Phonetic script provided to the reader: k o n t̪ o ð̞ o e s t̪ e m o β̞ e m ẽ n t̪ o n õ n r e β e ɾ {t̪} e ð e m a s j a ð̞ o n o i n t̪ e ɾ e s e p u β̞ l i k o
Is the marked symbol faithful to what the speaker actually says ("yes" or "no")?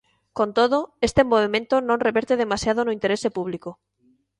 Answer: yes